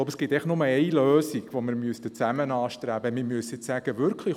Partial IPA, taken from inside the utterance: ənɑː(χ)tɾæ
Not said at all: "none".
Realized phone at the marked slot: ʃ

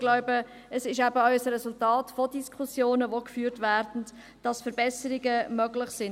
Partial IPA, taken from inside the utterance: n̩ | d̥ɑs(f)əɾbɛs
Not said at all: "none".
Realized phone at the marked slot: f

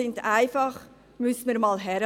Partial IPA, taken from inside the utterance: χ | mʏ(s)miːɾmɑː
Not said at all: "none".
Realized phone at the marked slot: s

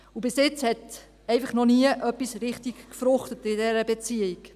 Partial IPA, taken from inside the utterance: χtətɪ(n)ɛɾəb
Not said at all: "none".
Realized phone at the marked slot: d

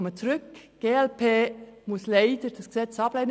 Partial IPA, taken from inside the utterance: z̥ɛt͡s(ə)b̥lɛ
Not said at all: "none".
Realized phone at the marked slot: ɑ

